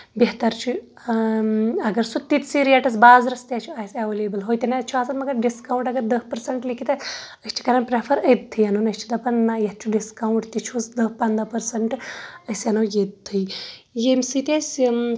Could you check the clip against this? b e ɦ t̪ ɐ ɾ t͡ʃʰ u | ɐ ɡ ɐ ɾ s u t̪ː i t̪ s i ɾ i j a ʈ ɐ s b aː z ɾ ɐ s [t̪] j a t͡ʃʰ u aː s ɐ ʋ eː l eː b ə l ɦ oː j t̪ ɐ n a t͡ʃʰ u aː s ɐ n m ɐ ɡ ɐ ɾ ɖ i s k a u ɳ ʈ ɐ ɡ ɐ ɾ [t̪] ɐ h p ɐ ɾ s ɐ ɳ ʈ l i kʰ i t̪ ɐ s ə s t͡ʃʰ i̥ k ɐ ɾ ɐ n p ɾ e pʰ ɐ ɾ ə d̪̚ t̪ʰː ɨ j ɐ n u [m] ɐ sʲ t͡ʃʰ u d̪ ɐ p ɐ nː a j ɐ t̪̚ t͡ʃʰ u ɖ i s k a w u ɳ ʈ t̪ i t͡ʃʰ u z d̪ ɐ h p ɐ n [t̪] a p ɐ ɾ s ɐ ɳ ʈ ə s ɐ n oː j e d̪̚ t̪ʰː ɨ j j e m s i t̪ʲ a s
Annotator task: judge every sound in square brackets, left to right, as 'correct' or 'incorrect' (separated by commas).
correct, incorrect, incorrect, incorrect